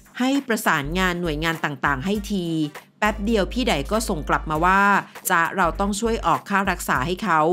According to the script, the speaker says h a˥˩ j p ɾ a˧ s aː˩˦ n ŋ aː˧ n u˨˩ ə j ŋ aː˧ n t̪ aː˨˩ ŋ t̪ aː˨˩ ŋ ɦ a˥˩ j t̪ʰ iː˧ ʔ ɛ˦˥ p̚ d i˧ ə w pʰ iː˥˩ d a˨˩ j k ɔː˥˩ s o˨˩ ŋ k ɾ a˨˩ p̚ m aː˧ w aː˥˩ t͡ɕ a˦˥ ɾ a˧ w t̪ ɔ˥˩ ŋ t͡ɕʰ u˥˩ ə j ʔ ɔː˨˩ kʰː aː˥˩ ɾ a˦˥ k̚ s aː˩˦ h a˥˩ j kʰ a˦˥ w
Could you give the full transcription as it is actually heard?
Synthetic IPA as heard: h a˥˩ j p ɾ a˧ s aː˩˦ n ŋ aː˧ nː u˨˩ ə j ŋ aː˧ n t̪ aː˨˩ ŋ t̪ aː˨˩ ŋ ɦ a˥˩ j t̪ʰ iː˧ p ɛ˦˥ p̚ d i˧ ə w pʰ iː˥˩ d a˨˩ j k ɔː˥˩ s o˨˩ ŋ k l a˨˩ p̚ m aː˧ w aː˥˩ t͡ɕ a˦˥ ɾ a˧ w t̪ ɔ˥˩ ŋ t͡ɕʰ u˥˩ ə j ʔ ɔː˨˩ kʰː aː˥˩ ɾ a˦˥ k̚ s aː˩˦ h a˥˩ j kʰ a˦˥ w